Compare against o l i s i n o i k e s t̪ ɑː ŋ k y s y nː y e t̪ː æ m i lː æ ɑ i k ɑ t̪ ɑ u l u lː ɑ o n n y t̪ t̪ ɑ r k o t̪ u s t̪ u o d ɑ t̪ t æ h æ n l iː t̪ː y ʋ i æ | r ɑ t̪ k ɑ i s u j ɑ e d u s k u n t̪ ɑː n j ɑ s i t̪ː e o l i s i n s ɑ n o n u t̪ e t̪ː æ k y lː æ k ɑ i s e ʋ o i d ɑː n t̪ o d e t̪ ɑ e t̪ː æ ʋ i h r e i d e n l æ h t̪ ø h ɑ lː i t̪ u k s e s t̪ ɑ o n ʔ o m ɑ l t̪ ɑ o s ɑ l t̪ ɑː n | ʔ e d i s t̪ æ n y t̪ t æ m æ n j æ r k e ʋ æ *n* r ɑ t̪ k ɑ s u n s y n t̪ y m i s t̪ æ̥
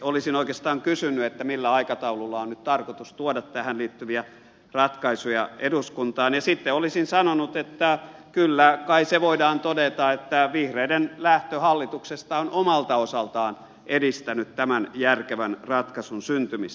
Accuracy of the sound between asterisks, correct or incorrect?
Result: correct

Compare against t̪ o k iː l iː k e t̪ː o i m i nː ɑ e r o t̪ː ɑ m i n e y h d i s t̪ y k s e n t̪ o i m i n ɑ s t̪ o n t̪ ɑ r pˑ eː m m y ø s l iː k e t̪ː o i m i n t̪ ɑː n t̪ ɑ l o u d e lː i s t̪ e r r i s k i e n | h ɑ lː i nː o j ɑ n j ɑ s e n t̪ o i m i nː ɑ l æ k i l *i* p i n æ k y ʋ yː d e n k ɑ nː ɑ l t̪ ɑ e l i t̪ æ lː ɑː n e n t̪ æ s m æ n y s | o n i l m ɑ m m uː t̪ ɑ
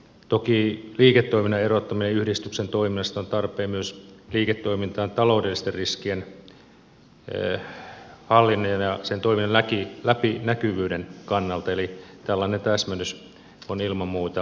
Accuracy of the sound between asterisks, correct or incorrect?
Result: incorrect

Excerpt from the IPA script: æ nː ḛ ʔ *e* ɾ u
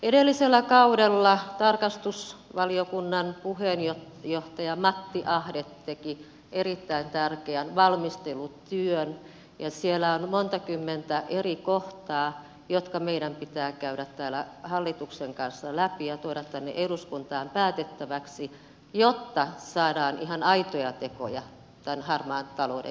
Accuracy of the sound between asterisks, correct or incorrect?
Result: correct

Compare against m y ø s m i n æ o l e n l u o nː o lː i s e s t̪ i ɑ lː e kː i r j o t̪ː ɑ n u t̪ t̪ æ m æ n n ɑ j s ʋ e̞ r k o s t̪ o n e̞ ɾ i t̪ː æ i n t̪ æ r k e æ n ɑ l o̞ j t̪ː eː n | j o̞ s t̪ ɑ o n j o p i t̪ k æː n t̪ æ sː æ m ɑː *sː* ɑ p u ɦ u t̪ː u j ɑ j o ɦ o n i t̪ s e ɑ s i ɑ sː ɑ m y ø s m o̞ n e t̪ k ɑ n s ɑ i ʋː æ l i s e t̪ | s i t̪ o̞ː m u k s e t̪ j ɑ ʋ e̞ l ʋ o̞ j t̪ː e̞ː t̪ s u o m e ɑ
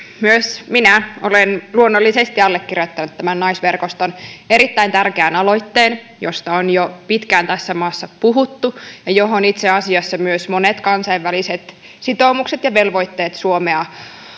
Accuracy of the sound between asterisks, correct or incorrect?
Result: correct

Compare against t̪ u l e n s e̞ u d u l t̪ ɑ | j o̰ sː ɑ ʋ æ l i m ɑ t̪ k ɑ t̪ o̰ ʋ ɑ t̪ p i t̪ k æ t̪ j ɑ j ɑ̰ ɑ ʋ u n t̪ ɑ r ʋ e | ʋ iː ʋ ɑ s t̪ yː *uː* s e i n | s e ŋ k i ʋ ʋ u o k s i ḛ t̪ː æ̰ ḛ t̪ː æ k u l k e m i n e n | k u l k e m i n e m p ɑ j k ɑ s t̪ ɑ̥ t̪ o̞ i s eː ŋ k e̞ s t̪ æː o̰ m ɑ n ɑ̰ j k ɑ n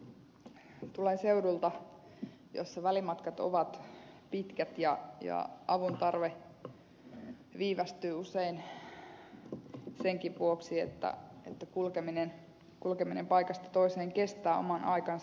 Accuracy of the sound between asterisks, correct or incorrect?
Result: incorrect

